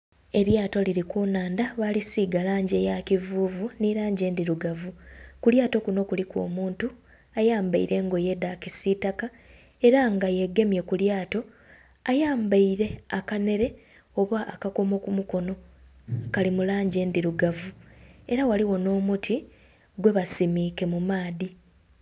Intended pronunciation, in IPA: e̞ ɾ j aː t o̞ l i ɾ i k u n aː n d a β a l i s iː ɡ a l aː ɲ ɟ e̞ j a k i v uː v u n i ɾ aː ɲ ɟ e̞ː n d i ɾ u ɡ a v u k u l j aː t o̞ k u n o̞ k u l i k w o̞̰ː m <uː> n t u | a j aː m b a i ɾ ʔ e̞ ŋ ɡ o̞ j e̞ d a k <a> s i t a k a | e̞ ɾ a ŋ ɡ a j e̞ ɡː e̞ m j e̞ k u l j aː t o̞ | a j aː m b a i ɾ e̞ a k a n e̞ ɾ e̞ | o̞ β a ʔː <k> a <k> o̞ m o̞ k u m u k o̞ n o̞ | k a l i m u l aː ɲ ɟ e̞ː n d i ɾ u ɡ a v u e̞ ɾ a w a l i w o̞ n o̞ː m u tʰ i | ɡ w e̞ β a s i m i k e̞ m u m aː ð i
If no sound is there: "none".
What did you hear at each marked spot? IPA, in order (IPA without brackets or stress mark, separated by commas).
uː, i, k, k